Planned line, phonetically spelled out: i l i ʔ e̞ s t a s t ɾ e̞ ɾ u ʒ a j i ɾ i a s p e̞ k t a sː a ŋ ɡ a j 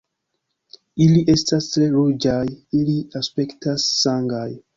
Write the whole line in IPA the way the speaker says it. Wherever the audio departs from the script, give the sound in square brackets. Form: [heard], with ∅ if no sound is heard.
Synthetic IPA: i l i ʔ e̞ s t a s t ɾ e̞ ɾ u [d͡ʒ] a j i [l] i a s p e̞ k t a sː a ŋ ɡ a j